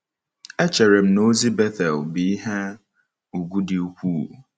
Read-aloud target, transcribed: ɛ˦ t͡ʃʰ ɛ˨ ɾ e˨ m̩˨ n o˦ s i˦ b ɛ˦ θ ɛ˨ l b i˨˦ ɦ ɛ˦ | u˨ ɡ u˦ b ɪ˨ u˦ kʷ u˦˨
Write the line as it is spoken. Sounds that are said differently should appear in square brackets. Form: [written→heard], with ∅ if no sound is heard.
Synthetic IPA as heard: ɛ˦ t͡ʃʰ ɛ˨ ɾ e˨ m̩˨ n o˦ [s→z] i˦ b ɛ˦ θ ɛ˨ l b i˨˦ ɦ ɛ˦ | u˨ ɡ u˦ [b→d] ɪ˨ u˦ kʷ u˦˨